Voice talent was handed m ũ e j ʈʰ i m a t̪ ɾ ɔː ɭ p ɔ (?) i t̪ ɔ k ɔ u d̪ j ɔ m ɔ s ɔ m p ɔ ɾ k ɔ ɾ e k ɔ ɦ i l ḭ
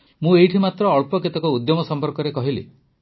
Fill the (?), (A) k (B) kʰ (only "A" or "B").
A